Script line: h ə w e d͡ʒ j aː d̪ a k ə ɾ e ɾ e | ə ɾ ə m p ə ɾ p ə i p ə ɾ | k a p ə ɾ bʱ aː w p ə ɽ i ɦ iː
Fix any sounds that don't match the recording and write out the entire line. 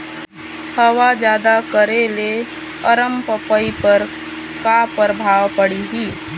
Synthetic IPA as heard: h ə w a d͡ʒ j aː d̪ a k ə ɾ e l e | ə ɾ ə m p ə p ə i p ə ɾ | k a p ə ɾ bʱ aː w p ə ɽ i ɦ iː